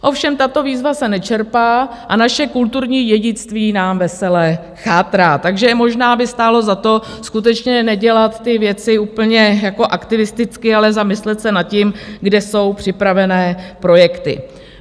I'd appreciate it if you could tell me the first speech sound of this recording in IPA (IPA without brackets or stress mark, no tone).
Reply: ʔ